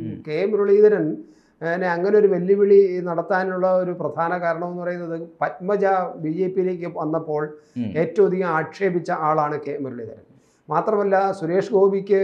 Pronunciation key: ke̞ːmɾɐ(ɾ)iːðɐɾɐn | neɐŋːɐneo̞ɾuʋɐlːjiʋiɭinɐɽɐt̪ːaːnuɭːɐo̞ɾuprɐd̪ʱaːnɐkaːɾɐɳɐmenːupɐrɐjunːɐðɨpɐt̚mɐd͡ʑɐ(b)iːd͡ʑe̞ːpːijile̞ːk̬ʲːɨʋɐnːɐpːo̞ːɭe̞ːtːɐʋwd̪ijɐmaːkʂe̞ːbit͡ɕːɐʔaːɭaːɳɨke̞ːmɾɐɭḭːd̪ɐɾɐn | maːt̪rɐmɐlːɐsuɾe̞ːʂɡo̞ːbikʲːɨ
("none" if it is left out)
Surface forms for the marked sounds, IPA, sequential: ɭ, b

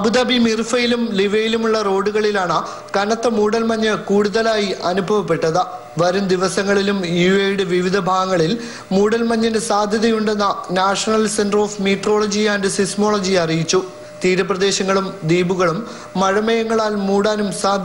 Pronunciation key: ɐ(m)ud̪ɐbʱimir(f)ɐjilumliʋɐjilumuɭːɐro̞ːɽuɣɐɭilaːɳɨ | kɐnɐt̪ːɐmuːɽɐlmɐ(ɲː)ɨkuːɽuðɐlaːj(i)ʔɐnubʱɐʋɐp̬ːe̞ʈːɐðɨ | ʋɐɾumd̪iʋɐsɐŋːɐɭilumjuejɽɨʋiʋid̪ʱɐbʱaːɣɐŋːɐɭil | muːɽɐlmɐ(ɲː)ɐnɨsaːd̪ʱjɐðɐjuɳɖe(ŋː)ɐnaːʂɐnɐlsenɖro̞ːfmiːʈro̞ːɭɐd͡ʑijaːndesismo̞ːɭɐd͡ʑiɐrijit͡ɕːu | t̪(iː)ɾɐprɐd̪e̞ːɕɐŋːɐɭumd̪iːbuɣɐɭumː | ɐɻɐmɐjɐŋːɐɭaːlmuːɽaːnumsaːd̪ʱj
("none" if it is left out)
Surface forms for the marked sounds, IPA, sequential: b, f, ɲː, i, ɲː, nː, iː

